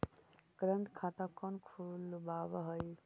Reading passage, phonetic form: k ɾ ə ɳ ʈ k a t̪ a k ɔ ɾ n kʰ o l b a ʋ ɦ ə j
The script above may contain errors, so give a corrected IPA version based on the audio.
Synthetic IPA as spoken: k ɾ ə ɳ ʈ kʰ a t̪ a k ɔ n kʰ u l b a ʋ ɦ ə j

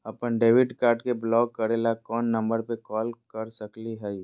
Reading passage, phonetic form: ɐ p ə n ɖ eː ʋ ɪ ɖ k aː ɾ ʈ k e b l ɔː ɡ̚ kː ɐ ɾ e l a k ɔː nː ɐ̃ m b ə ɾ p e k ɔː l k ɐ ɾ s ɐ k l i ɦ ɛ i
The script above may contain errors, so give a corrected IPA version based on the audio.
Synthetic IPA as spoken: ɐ p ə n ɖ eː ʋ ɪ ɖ k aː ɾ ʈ k e b l ɔː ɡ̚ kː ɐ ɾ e l a k ɔː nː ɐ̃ m b ə ɾ p e k ɔː l k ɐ ɾ s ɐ k l i ɦ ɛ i

